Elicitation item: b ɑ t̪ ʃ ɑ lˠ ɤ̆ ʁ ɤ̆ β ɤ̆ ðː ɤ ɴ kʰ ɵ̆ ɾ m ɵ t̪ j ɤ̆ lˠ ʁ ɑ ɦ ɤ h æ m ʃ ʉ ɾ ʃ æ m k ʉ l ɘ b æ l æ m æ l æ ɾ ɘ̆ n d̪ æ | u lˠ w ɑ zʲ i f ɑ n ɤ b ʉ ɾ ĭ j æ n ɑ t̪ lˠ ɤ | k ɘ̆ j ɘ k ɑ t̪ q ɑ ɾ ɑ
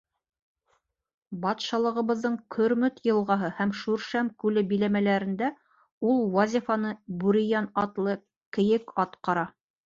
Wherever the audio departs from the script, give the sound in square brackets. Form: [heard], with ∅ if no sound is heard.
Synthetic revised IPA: b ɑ t̪ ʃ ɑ lˠ ɤ̆ ʁ ɤ̆ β ɤ̆ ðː ɤ ɴ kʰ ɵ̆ ɾ m ɵ t̪ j ɤ̆ lˠ ʁ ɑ ɦ ɤ h æ m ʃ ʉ ɾ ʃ æ m k ʉ l ɘ b [i] l æ m æ l æ ɾ ɘ̆ n d̪ æ | u lˠ w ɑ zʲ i f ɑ n ɤ b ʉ ɾ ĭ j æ n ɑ t̪ lˠ ɤ | k ɘ̆ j ɘ k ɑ t̪ q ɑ ɾ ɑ